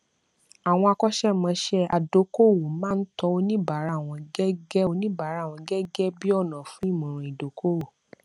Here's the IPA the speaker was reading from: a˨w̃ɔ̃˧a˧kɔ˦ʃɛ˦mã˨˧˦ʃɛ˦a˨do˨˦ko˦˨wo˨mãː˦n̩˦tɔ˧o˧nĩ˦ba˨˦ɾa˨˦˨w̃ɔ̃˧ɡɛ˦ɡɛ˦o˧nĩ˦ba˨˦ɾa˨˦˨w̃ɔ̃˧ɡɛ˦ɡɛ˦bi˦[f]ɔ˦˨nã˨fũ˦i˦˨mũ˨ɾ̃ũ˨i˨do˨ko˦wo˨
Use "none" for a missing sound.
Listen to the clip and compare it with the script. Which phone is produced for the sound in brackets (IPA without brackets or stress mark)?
none